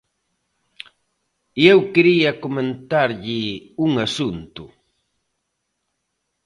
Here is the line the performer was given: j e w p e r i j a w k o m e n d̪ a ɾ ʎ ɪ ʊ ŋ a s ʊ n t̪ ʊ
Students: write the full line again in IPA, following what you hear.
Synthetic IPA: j e w k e ɾ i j a k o m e n t̪ a ɾ ʎ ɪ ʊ ŋ a s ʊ n t̪ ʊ